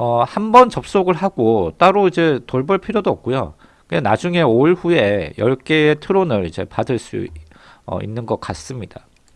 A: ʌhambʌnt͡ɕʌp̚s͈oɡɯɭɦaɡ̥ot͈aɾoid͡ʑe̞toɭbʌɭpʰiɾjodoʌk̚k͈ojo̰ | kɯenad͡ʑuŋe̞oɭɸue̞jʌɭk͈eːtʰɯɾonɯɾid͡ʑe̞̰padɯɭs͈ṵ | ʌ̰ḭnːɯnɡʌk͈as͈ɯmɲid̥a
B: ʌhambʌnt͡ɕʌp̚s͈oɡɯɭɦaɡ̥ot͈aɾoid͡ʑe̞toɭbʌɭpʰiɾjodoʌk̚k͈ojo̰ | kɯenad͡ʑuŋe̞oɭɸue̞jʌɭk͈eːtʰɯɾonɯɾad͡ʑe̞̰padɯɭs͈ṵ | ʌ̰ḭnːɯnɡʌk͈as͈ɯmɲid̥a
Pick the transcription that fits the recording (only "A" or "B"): A